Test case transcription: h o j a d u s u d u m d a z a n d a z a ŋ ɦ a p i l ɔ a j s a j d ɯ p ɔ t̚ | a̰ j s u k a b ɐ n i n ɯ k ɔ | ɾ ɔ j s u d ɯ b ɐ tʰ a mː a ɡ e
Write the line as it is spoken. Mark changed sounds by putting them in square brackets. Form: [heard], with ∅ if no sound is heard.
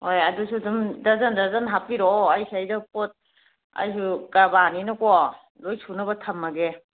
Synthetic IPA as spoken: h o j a d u s u d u m d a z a n d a z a [n] ɦ a p i [ɾ] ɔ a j s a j d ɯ p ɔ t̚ | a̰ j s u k a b [a] n i n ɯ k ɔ | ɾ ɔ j s u [n] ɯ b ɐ tʰ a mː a ɡ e